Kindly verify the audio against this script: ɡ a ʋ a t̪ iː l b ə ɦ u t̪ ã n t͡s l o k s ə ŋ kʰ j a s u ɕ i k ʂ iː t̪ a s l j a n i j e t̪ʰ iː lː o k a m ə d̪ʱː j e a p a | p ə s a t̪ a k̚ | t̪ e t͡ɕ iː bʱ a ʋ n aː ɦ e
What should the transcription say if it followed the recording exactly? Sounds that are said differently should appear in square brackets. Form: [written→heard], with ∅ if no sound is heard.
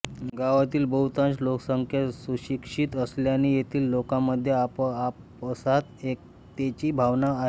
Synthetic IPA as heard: ɡ a ʋ a t̪ iː l b ə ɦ u t̪ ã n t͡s l o k s ə ŋ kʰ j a s u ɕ i k ʂ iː t̪ [a→ə] s l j a n i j e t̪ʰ iː lː o k a m ə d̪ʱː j e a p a | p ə s a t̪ [a→e] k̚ | t̪ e t͡ɕ iː bʱ a ʋ n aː ɦ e

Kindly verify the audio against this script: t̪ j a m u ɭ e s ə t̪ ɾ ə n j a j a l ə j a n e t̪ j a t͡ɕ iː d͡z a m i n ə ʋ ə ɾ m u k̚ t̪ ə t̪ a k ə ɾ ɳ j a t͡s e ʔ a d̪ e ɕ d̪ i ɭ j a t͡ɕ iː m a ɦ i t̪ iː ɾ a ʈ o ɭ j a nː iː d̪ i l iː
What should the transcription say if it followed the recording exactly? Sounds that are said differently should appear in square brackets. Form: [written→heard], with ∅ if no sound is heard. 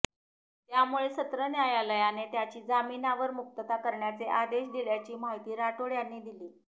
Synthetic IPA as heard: t̪ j a m u ɭ e s ə t̪ ɾ ə n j a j a l ə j a n e t̪ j a t͡ɕ iː d͡z a m i n [ə→a] ʋ ə ɾ m u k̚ t̪ ə t̪ a k ə ɾ ɳ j a t͡s e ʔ a d̪ e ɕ d̪ i ɭ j a t͡ɕ iː m a ɦ i t̪ iː ɾ a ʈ o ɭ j a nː iː d̪ i l iː

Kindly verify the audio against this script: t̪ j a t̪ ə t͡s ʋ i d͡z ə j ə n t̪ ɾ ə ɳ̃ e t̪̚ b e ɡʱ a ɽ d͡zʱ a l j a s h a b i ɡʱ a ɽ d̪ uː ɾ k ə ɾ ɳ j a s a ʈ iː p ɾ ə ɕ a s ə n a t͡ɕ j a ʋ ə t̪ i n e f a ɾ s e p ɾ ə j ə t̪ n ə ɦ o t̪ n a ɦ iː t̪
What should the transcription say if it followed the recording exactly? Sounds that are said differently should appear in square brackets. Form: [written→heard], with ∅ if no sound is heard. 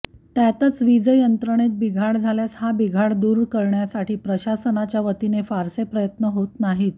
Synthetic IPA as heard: t̪ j a t̪ ə t͡s ʋ i d͡z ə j ə n t̪ ɾ ə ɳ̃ e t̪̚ b [e→i] ɡʱ a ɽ d͡zʱ a l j a s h a b i ɡʱ a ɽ d̪ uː ɾ k ə ɾ ɳ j a s a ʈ iː p ɾ ə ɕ a s ə n a t͡ɕ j a ʋ ə t̪ i n e f a ɾ s e p ɾ ə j ə t̪ n ə ɦ o t̪ n a ɦ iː t̪

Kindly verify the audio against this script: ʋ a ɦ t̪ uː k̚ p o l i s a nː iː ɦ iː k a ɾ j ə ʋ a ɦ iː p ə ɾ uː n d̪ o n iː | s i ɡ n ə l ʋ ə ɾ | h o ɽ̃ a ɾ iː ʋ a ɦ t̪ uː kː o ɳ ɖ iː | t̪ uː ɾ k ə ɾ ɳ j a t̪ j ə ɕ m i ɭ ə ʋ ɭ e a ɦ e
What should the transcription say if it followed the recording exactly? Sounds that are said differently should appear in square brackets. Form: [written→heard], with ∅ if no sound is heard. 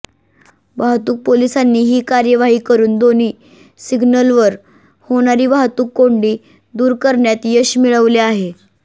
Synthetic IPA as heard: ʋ a ɦ t̪ uː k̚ p o l i s a nː iː ɦ iː k a ɾ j ə ʋ a ɦ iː [p→k] ə ɾ uː n d̪ o n iː | s i ɡ n ə l ʋ ə ɾ | h o ɽ̃ a ɾ iː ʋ a ɦ t̪ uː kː o ɳ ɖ iː | [t̪→d̪] uː ɾ k ə ɾ ɳ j a t̪ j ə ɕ m i ɭ ə ʋ [ɭ→l] e a ɦ e

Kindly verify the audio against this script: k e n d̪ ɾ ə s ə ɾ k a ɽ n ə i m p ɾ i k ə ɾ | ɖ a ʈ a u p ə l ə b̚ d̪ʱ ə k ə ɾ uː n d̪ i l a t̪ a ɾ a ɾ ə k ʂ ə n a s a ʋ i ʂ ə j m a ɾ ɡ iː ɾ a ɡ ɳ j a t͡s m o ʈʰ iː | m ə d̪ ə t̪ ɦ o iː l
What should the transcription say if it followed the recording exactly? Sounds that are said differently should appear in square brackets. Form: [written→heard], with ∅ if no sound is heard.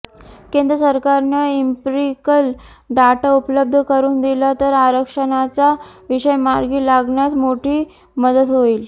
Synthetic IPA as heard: k e n d̪ ɾ ə s ə ɾ k a [ɽ→ɾ] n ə i m p ɾ i k ə [ɾ→l] | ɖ a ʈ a u p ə l ə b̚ d̪ʱ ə k ə ɾ uː n d̪ i l a t̪ [a→ə] ɾ a ɾ ə k ʂ ə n a [s→t͡s] a ʋ i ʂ ə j m a ɾ ɡ iː [ɾ→l] a ɡ ɳ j a t͡s m o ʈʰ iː | m ə d̪ ə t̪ ɦ o iː l

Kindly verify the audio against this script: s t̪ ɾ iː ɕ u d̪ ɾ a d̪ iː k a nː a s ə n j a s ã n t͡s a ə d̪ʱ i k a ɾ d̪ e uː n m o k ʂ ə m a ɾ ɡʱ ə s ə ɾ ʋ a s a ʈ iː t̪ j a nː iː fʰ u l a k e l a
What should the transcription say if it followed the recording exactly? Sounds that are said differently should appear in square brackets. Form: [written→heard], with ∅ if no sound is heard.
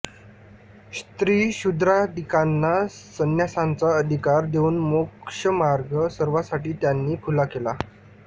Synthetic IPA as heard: s t̪ ɾ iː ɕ u d̪ ɾ a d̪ [iː→i] k a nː a s ə n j a s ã n t͡s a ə d̪ʱ i k a ɾ d̪ e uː n m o k ʂ ə m a ɾ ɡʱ ə s ə ɾ ʋ a s a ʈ iː t̪ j a nː iː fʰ u l a k e l a

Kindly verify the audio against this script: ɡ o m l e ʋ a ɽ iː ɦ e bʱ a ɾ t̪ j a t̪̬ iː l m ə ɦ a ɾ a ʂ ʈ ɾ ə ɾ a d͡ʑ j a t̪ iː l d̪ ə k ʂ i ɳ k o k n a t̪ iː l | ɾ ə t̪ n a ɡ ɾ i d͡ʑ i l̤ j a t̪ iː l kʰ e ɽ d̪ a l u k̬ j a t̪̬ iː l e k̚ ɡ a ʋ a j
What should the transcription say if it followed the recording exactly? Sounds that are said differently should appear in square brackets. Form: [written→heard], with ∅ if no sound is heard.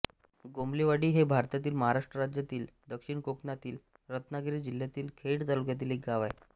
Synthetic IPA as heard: ɡ o m l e ʋ a ɽ iː ɦ e bʱ a ɾ t̪ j a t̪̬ iː l m ə ɦ a ɾ a ʂ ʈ ɾ ə ɾ a d͡ʑ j a t̪ iː l d̪ ə k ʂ i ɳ k o k n a t̪ iː l | ɾ ə t̪ n a ɡ ɾ i d͡ʑ i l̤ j a t̪ iː l kʰ e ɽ [d̪→t̪] a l u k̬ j a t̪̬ iː l e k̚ ɡ a ʋ a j

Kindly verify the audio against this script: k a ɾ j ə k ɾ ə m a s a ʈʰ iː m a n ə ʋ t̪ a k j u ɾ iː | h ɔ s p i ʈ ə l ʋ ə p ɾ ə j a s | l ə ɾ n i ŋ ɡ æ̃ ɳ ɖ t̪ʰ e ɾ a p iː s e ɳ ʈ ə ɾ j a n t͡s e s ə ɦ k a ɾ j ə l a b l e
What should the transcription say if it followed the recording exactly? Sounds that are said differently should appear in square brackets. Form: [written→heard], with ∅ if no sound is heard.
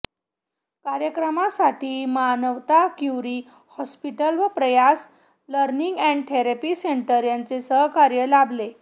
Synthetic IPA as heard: k a ɾ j ə k ɾ ə m a s a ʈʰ iː m a n ə ʋ t̪ a k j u ɾ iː | h ɔ s p i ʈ ə l ʋ ə p ɾ ə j a s | l ə ɾ n i ŋ ɡ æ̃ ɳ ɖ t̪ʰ e ɾ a p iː s e ɳ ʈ ə ɾ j a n t͡s e s ə ɦ k a ɾ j ə l a b l e

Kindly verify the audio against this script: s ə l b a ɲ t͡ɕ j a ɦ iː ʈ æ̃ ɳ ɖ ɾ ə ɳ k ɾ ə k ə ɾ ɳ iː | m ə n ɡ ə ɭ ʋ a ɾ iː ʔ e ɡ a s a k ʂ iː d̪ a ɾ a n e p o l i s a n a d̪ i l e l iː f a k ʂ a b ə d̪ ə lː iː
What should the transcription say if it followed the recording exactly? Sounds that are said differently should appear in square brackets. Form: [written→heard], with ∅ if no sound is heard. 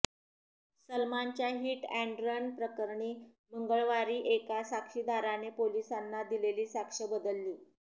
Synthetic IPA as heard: s ə l [b→m] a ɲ t͡ɕ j a ɦ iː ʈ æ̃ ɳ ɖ ɾ ə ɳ [k→p] ɾ ə k ə ɾ ɳ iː | m ə [n→ŋ] ɡ ə ɭ ʋ a ɾ iː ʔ e [ɡ→k] a s a k ʂ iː d̪ a ɾ a n e p o l i s a [n→nː] a d̪ i l e l iː [f→s] a k ʂ [a→ə] b ə d̪ ə lː iː

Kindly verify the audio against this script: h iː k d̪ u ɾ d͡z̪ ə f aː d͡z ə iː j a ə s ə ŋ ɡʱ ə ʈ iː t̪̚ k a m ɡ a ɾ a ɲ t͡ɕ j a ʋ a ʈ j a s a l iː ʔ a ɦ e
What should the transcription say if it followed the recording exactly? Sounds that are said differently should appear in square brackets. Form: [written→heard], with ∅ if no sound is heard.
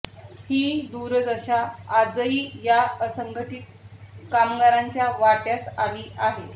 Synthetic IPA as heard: h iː [k→∅] d̪ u ɾ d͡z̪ ə [f→ɕ] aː d͡z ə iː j a ə s ə ŋ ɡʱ ə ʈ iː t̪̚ k a m ɡ a ɾ a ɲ t͡ɕ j a ʋ a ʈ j a s a l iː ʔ a ɦ e

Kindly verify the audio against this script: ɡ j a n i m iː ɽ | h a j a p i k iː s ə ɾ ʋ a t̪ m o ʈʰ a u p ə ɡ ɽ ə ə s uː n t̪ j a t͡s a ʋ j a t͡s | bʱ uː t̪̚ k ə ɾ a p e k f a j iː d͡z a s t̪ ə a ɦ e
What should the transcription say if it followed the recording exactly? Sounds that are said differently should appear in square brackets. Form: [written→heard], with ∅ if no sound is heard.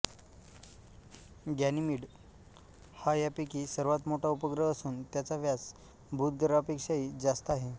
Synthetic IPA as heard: ɡ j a n i m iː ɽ | h a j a p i k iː s ə ɾ ʋ a t̪ m o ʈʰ a u p ə ɡ [ɽ→ɾ] ə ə s uː n t̪ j a t͡s a ʋ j a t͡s | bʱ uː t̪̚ [k→ɡ] ə ɾ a p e k [f→ʂ] a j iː d͡z a s t̪ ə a ɦ e

